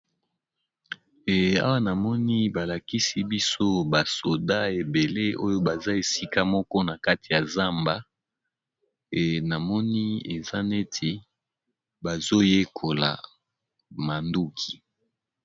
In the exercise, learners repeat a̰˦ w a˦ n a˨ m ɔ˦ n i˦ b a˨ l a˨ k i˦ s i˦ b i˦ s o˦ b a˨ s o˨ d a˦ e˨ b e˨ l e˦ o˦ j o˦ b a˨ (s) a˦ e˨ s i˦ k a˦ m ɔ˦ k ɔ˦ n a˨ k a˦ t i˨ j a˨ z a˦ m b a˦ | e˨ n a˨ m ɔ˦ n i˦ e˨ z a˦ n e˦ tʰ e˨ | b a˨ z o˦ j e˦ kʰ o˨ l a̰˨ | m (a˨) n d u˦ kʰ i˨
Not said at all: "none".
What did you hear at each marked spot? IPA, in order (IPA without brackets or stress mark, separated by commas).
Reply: z, a˨